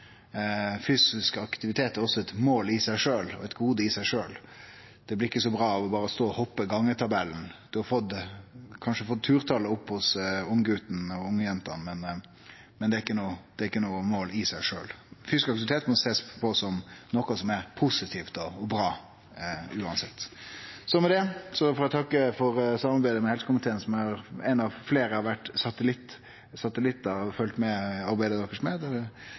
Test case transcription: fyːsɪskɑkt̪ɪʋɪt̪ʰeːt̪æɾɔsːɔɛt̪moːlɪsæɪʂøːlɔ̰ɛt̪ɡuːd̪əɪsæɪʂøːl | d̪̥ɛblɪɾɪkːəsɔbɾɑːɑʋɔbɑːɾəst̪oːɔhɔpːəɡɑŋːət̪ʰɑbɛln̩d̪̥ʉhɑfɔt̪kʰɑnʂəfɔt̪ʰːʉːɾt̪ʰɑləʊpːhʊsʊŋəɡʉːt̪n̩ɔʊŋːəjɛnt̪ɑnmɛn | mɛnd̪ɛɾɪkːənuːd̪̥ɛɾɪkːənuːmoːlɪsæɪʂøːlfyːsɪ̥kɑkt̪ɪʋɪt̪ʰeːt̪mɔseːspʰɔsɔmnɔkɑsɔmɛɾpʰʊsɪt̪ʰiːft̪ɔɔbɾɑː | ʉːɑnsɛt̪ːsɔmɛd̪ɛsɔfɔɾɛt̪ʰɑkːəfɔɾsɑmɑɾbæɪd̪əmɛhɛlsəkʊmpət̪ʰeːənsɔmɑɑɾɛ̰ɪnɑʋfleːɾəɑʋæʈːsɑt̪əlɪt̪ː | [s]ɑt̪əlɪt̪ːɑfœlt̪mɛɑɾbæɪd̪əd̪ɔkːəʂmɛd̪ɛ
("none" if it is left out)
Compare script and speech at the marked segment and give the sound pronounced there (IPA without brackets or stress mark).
s